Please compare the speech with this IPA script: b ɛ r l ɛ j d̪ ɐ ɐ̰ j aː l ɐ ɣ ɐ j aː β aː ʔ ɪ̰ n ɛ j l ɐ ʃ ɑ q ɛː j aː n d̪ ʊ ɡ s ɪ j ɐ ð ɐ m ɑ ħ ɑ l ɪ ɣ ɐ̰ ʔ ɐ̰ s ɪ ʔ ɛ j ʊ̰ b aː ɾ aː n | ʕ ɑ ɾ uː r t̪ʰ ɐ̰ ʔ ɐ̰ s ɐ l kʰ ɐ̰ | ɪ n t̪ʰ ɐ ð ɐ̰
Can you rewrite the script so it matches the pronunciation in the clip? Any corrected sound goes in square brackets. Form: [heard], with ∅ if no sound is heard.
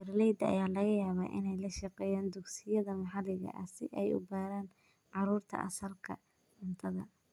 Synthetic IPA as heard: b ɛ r l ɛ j d̪ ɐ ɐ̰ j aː l ɐ ɣ ɐ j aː β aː ʔ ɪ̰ n ɛ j l ɐ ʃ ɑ q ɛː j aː n d̪ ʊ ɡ s ɪ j ɐ ð ɐ m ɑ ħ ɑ l ɪ ɣ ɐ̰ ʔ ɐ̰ s ɪ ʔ ɛ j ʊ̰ b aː ɾ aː n | ʕ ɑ ɾ uː r t̪ʰ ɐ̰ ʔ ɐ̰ s ɐ l kʰ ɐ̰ | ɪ n t̪ʰ ɐ ð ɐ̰